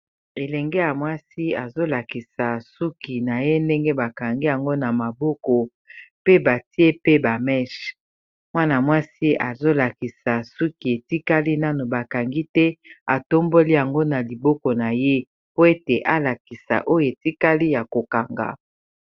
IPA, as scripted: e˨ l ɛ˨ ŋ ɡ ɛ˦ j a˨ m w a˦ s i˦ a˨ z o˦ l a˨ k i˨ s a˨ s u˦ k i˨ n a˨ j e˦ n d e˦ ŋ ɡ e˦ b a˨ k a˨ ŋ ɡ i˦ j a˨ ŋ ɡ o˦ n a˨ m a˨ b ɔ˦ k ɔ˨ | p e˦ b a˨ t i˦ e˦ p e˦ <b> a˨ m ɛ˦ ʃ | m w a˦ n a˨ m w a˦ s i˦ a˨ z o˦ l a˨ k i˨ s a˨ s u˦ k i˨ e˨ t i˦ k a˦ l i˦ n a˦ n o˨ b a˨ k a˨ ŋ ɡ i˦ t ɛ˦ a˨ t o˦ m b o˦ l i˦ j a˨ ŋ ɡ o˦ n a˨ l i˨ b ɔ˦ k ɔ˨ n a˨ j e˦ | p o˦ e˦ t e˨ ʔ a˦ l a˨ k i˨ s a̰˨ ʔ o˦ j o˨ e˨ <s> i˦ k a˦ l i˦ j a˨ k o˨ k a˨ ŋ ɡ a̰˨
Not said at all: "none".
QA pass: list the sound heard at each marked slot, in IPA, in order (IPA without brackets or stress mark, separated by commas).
b, t